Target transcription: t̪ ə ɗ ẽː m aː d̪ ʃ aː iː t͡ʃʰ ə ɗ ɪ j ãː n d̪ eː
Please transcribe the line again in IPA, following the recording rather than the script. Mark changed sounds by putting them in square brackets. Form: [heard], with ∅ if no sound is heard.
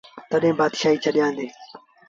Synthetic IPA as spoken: t̪ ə ɗ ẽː [b] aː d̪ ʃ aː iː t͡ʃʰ ə ɗ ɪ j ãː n d̪ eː

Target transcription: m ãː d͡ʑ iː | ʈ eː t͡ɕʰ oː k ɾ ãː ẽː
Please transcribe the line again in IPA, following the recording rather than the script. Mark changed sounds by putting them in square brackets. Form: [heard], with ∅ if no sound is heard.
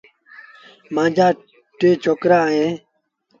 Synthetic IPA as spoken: m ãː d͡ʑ [aː] | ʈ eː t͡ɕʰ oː k ɾ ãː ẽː

